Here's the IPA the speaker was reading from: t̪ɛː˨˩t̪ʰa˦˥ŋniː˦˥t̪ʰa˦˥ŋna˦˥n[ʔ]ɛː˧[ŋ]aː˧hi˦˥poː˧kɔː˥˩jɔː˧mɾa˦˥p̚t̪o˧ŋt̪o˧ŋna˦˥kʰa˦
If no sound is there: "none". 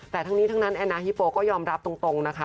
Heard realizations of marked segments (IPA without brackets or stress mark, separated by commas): ʔ, n